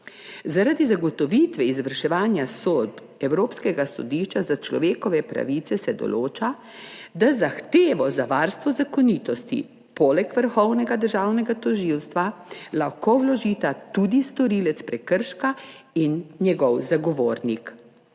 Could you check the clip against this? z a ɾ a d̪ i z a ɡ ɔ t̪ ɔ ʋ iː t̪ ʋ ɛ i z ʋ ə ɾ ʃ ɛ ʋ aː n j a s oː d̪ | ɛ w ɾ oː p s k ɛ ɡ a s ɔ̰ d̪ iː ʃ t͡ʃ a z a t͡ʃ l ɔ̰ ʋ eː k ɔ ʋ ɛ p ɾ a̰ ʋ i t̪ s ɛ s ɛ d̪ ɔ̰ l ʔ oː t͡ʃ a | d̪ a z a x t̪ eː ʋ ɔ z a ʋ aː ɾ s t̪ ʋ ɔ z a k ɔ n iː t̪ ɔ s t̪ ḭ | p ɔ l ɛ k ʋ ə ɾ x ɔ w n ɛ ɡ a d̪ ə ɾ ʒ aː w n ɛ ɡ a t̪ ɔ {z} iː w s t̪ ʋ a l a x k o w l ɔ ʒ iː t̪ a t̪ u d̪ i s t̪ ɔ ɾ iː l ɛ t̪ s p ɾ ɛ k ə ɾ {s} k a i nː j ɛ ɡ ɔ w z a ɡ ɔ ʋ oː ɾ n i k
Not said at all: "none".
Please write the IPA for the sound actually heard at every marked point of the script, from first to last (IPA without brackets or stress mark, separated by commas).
ʒ, ʃ